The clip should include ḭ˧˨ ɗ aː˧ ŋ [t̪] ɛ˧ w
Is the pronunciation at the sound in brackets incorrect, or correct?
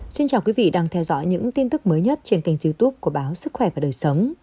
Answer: incorrect